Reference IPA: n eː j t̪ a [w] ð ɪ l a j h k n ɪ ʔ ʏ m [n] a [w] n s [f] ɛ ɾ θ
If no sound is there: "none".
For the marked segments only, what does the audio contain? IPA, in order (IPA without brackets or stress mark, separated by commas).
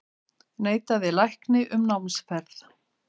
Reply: none, n, w, f